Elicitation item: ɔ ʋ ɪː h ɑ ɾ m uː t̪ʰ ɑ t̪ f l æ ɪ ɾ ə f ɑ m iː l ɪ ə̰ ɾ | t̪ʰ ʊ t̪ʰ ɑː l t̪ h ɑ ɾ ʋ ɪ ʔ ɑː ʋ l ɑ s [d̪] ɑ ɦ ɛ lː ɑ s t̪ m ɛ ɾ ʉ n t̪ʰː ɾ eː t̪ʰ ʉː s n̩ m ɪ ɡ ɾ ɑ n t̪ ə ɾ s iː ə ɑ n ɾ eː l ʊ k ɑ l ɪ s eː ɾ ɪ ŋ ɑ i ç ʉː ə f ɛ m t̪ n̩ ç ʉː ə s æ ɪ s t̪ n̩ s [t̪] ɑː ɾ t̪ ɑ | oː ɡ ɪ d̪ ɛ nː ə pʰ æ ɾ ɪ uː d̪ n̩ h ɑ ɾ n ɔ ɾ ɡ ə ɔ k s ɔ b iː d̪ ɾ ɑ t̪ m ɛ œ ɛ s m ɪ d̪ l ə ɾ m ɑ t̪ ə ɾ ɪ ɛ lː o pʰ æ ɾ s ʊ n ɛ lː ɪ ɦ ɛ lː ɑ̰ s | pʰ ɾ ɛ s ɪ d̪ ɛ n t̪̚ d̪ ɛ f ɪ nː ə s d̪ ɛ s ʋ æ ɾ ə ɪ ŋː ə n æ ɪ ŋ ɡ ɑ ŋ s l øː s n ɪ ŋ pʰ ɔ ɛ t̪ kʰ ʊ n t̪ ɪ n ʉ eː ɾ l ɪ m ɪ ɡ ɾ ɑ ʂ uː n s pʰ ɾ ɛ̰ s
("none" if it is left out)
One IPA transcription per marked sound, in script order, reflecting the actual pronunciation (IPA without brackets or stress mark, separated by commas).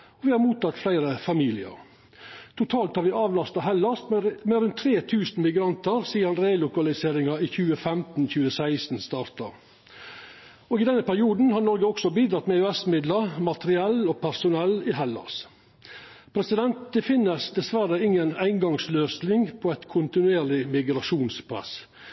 t̪, t̪